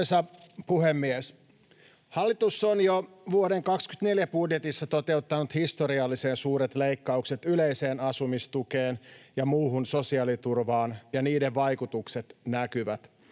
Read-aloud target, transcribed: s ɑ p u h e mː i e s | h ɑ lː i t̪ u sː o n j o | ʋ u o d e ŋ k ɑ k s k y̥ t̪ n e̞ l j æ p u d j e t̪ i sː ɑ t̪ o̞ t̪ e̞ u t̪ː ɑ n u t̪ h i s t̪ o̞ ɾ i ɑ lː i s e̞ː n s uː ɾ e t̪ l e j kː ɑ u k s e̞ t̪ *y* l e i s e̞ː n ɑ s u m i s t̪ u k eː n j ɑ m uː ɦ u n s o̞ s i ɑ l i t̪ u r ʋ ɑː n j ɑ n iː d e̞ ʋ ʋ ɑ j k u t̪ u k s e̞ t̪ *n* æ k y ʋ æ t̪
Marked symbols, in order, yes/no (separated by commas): yes, yes